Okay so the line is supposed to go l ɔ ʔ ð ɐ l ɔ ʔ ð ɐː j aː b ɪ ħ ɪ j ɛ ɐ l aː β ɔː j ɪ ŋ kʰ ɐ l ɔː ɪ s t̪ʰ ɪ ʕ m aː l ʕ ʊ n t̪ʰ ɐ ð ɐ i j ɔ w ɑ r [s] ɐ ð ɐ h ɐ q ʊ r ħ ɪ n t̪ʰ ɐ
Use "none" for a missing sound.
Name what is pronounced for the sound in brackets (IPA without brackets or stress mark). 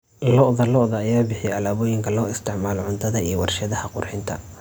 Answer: ʃ